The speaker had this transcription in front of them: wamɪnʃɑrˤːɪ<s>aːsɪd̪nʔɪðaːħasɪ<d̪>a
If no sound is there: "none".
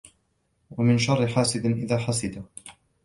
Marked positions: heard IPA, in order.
ħ, d̪

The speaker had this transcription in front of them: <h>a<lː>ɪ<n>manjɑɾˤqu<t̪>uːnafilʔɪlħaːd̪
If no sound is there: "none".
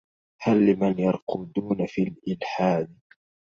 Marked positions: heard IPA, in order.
h, lː, none, d̪

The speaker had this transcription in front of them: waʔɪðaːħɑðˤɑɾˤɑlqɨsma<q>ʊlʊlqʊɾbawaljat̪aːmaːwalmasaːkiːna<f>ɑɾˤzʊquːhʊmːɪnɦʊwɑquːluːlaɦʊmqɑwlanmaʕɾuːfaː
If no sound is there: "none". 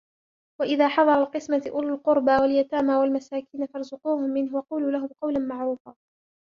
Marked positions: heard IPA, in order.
ʔ, f

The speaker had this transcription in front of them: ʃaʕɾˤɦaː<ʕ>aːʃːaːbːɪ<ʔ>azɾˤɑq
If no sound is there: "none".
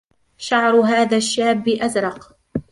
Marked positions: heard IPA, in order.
ð, ʔ

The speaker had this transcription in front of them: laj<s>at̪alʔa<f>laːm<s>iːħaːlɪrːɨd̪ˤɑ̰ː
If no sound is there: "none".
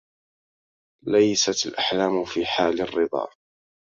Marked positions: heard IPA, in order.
s, ħ, f

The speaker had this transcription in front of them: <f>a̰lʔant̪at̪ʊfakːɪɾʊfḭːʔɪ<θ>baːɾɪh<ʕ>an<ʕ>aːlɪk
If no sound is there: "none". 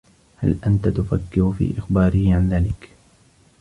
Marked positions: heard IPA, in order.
h, x, ʕ, ð

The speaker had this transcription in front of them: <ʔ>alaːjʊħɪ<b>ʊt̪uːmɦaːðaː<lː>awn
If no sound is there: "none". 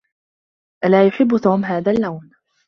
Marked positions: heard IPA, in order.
ʔ, bː, lː

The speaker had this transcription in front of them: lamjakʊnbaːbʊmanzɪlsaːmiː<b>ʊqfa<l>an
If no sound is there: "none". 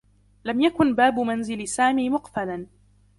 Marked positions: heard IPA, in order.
m, l

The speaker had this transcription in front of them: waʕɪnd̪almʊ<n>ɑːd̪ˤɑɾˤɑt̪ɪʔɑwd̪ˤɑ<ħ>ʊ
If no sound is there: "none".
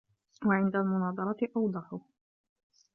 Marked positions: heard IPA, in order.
n, ħ

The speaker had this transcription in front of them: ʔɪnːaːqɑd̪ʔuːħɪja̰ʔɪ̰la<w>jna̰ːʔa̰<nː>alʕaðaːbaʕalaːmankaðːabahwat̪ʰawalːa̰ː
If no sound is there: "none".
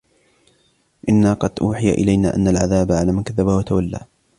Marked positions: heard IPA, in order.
none, nː

